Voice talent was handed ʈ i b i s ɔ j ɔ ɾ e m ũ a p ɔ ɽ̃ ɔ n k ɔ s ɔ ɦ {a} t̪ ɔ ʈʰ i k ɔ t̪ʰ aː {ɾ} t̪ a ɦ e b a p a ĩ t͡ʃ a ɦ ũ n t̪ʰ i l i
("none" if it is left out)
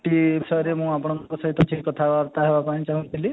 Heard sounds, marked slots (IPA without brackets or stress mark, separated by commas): i, ɾ